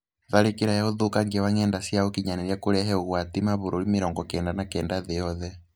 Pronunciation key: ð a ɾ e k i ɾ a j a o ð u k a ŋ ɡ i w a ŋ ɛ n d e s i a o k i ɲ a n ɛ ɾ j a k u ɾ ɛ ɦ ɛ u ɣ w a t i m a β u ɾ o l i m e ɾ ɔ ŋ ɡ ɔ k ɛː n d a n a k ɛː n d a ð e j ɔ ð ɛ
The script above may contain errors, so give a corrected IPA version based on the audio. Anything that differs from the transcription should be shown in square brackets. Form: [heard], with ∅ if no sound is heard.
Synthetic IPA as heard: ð a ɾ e k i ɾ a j a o ð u k a ŋ ɡ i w a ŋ ɛ n d [a] s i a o k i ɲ a n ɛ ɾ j a k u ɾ ɛ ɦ ɛ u ɣ w a t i m a β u ɾ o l i m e ɾ ɔ ŋ ɡ ɔ k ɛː n d a n a k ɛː n d a ð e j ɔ ð ɛ

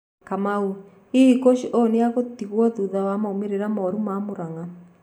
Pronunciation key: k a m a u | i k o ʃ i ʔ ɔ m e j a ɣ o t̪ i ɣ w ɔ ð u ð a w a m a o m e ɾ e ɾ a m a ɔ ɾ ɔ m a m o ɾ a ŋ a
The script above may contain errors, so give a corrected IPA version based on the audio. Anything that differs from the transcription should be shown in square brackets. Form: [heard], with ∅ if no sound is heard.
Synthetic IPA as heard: k a m a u | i k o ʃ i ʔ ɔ [n] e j a ɣ o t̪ i ɣ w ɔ ð u ð a w a m a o m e ɾ e ɾ a m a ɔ ɾ [u] m a m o ɾ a ŋ a

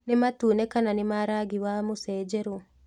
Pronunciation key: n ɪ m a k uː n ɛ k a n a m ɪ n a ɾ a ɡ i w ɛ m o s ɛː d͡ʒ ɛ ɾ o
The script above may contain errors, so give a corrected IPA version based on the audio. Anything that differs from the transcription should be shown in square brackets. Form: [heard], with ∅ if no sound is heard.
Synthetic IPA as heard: n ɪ m a [t] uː n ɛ k a n a [n] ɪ [m] a ɾ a ɡ i w [a] m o s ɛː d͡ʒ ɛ ɾ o

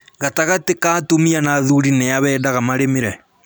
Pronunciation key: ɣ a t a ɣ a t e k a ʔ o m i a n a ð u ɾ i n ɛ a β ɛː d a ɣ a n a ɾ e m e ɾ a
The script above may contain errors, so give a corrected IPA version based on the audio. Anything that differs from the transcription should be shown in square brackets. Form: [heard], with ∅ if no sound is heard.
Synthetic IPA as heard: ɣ a t a ɣ a t e k a [t] o m i a n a ð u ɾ i n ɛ a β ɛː d a ɣ a [m] a ɾ e m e ɾ [ɛ]

